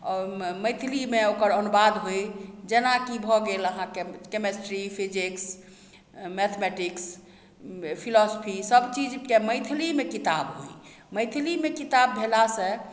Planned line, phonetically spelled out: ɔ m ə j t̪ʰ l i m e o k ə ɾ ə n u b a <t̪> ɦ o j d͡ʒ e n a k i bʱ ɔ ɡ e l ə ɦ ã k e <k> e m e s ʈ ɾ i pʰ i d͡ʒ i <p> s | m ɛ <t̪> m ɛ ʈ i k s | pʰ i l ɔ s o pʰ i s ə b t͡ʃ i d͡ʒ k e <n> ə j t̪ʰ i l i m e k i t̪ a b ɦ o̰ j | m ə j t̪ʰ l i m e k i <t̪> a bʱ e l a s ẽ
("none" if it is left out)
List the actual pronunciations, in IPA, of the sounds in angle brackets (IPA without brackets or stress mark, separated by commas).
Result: d̪, k, k, t̪ʰ, m, t̪